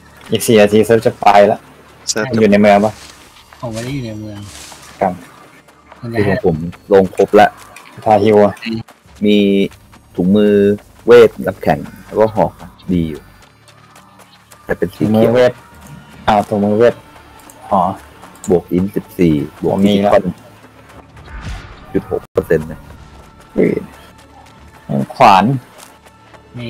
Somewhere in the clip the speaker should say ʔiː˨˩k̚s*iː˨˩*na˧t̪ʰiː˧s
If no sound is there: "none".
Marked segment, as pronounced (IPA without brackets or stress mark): iː˨˩